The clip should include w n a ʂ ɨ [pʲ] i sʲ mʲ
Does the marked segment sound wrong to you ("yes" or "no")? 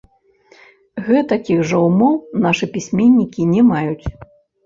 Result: no